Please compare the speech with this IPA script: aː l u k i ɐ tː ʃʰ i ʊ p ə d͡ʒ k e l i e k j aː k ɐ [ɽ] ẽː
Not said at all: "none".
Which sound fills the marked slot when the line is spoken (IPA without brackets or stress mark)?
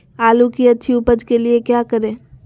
ɾ